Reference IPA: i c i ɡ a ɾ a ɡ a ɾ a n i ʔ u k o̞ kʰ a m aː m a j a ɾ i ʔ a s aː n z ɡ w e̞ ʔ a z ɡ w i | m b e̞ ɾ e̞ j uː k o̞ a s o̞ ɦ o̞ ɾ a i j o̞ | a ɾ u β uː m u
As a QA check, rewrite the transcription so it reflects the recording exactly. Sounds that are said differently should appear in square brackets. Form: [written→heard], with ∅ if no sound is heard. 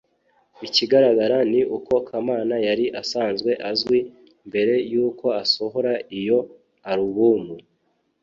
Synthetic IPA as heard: i c i ɡ a ɾ a ɡ a ɾ a n i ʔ u k o̞ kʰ a m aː [m→n] a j a ɾ i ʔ a s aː n z ɡ w e̞ ʔ a z ɡ w i | m b e̞ ɾ e̞ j uː k o̞ a s o̞ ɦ o̞ ɾ a i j o̞ | a ɾ u β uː m u

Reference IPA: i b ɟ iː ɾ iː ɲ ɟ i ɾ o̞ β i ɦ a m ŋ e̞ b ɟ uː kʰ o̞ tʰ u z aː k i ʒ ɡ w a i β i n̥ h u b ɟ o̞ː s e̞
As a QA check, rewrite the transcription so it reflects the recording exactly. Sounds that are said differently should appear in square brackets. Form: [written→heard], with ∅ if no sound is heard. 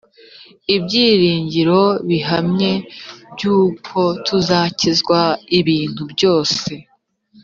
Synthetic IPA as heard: i b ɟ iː ɾ iː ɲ ɟ i ɾ o̞ β i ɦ a m [ŋ→ɲ] e̞ b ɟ uː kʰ o̞ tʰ u z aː [k→c] i [ʒ→z] ɡ w a i β [i→iː] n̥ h u b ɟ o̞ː s e̞

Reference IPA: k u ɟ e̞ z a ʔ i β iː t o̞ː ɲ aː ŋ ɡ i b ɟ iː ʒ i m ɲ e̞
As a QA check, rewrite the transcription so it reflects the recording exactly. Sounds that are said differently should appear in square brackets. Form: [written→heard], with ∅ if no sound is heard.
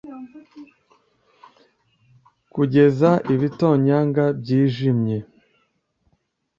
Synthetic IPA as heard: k u ɟ e̞ z a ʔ i β [iː→i] t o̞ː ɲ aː ŋ ɡ [i→a] b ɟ iː ʒ i m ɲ e̞

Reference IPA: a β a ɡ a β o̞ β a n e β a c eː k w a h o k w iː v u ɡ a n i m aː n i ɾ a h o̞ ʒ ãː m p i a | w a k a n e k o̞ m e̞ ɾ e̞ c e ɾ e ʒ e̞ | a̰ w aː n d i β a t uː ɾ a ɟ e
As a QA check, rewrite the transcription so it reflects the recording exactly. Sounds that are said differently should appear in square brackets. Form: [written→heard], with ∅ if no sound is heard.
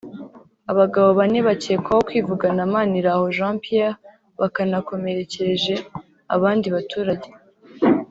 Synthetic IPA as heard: a β a ɡ a β o̞ β a n e β a c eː k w a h o k w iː v u ɡ a n [i→a] m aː n i ɾ a h o̞ ʒ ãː m p i a | [w→β] a k a n [e→a] k o̞ m e̞ ɾ e̞ c e ɾ e ʒ e̞ | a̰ [w→β] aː n d i β a t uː ɾ a ɟ e

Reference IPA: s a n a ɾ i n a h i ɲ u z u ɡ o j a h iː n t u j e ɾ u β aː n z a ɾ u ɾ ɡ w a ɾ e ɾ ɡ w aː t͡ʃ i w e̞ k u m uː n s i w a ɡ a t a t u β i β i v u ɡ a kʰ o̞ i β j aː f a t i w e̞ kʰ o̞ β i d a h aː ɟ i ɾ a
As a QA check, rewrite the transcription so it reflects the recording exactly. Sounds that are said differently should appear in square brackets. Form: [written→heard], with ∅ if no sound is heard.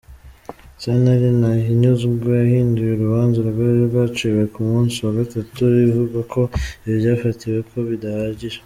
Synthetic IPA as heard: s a n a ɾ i n a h i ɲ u z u ɡ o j a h iː n [t→d] u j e ɾ u β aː n z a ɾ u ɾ ɡ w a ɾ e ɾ ɡ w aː t͡ʃ i w e̞ k u m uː n s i w a ɡ a t a t u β i β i v u ɡ a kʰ o̞ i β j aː f a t i w e̞ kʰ o̞ β i d a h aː ɟ i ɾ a

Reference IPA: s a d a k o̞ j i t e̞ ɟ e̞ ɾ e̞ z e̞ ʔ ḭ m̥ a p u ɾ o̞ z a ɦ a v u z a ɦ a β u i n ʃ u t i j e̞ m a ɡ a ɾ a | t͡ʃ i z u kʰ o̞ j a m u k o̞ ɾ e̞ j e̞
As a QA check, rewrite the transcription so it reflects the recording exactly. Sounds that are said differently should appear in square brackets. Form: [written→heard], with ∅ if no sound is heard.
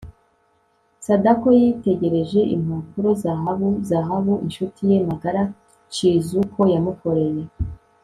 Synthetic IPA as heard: s a d a k o̞ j i t e̞ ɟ e̞ ɾ e̞ [z→ʒ] e̞ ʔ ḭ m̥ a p u ɾ o̞ z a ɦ a [v→β] u z a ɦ a β u i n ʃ u t i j e̞ m a ɡ a ɾ a | t͡ʃ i z u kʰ o̞ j a m u k o̞ ɾ e̞ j e̞

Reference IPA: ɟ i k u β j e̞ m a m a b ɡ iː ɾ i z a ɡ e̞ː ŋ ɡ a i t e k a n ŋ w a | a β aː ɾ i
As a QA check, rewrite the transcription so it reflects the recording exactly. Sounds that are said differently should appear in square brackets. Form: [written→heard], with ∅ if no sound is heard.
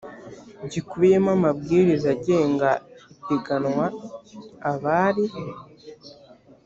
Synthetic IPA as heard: ɟ i k u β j e̞ m a m a b ɡ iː ɾ i z a [ɡ→ɟ] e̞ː ŋ ɡ a i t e [k→ɡ] a n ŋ w a | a β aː ɾ i

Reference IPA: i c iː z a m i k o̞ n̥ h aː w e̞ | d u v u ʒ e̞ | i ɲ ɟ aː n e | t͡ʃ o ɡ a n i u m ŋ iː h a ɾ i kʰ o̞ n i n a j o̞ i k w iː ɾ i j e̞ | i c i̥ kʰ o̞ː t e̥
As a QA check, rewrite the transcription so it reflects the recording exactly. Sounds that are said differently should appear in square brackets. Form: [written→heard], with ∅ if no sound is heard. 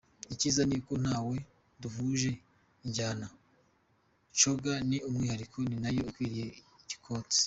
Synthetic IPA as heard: i c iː z a [m→n] i k o̞ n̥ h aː w e̞ | d u v u ʒ e̞ | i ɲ ɟ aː n [e→a] | t͡ʃ o ɡ a n i u m ŋ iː h a ɾ i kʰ o̞ n i n a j o̞ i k w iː ɾ i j e̞ | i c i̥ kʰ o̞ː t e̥

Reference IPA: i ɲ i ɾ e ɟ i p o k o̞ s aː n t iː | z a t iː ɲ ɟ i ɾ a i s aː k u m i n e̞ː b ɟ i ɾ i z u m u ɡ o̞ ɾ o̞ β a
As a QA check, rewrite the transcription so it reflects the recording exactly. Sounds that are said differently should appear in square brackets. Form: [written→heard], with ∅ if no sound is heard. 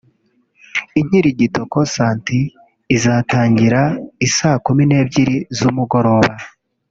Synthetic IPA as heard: i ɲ i ɾ [e→i] ɟ i [p→t] o k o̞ s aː n t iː | z a t [iː→aː] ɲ ɟ i ɾ a i s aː k u m i n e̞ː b ɟ i ɾ i z u m u ɡ o̞ ɾ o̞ β a

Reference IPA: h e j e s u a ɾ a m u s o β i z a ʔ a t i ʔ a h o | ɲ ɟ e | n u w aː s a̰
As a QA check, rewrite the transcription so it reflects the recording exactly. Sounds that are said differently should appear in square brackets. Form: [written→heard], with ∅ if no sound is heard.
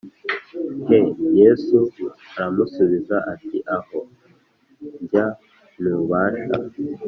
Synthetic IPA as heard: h e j e s u a ɾ a m u s [o→u] β i z a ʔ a t i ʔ a h o | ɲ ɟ [e→a] | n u [w→β] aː [s→ʃ] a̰

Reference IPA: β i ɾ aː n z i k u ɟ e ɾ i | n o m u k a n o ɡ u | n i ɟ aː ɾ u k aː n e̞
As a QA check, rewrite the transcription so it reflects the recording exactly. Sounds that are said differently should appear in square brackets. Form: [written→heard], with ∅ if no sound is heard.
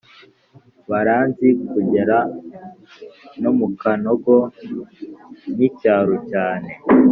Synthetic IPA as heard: β [i→a] ɾ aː n z i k u ɟ e ɾ [i→a] | n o m u k a n o ɡ [u→o] | n i [ɟ→c] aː ɾ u [k→c] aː n e̞

